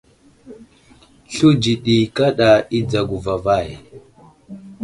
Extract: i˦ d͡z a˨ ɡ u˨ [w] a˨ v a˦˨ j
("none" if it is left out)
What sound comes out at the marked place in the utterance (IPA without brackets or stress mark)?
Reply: v